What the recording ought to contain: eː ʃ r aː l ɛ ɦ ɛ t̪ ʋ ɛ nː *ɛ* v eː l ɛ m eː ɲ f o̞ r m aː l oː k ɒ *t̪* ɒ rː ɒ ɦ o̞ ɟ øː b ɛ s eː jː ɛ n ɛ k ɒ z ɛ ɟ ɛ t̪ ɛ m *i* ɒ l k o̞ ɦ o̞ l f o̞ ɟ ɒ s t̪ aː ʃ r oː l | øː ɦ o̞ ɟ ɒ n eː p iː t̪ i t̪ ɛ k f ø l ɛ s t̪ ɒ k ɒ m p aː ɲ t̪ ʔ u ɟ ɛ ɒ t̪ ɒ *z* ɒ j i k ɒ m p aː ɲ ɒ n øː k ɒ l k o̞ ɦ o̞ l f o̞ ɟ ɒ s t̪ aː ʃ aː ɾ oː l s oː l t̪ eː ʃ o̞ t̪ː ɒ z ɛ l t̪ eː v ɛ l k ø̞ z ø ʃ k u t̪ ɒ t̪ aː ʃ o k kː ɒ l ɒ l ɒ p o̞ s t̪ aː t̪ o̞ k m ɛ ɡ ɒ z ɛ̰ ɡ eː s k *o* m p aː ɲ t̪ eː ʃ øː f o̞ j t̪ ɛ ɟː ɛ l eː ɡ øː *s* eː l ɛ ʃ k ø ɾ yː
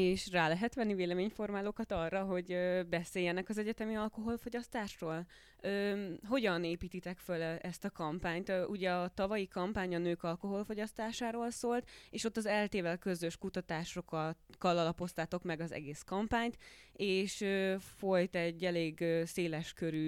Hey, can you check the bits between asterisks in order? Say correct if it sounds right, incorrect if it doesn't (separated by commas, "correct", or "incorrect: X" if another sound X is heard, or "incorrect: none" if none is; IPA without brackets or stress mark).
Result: incorrect: i, correct, correct, incorrect: v, incorrect: ɒ, correct